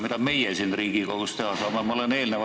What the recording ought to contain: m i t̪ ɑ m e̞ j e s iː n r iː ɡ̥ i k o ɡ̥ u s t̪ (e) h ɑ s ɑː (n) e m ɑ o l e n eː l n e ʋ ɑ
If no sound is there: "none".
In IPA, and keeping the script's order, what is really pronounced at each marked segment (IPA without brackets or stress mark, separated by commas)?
e, m